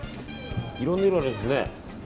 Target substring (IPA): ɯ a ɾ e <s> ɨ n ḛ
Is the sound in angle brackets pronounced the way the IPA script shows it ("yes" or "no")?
yes